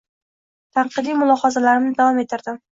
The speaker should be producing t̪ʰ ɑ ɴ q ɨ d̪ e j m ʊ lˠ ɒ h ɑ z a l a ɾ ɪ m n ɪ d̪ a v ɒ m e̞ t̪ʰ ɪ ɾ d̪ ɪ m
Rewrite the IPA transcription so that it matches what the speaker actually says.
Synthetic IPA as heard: t̪ʰ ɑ ɴ q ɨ d̪ i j m ʊ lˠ ɒ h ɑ z a l a ɾ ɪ m n ɪ d̪ a v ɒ m e̞ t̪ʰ ɪ ɾ d̪ ɪ m